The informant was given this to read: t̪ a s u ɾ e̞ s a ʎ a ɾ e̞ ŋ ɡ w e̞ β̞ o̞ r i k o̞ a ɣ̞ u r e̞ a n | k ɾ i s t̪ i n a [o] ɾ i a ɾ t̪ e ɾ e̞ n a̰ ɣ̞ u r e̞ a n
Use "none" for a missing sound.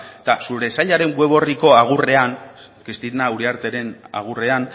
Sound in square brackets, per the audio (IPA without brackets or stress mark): u